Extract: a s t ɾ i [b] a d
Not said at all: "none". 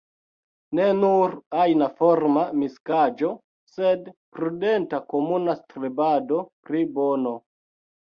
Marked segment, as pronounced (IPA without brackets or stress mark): b